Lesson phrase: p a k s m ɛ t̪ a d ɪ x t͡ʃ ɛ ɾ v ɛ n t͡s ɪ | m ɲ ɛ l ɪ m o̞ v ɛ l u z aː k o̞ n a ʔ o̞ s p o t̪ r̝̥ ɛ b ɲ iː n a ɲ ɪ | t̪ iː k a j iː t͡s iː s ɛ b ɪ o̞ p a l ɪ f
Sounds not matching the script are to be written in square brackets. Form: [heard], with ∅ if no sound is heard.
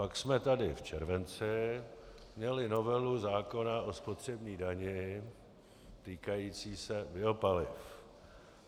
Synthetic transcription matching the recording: p a k s m ɛ t̪ a d ɪ [f] t͡ʃ ɛ ɾ v ɛ n t͡s ɪ | m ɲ ɛ l ɪ [n] o̞ v ɛ l u z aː k o̞ n a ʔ o̞ s p o t̪ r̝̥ ɛ b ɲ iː [d] a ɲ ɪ | t̪ iː k a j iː t͡s iː s ɛ b ɪ o̞ p a l ɪ f